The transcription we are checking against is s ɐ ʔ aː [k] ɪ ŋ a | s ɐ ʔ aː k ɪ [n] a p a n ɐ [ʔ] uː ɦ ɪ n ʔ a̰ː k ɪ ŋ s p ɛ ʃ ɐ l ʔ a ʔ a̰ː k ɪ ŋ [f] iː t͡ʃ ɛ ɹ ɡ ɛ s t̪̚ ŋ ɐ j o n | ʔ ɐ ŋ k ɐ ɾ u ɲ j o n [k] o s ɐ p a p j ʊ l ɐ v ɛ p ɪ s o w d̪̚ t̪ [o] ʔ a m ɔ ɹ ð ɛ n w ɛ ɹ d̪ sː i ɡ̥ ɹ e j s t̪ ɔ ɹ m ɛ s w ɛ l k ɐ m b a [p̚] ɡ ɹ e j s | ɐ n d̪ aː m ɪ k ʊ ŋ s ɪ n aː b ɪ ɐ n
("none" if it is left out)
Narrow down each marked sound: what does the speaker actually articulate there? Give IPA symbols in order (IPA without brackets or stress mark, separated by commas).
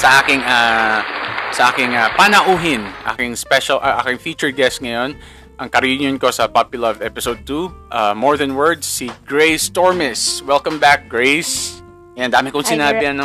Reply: k, ŋ, ʔ, f, k, u, k̚